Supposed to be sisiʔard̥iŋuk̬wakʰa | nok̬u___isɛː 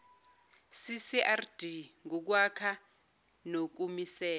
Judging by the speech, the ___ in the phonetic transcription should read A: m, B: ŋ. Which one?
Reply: A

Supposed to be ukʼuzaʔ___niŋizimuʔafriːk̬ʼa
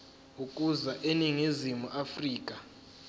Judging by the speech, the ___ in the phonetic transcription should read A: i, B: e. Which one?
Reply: B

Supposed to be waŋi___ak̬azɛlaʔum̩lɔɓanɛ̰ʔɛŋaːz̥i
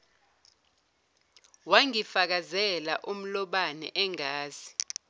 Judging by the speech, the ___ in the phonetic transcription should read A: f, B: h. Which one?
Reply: A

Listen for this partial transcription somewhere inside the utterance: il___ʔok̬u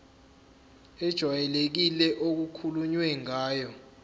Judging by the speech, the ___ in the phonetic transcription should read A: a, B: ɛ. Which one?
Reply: B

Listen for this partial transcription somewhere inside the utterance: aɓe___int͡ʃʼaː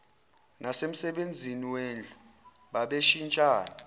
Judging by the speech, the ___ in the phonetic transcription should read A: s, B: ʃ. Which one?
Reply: B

